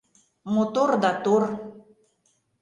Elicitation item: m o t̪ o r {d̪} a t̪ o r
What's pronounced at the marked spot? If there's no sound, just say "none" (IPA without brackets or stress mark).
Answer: d̪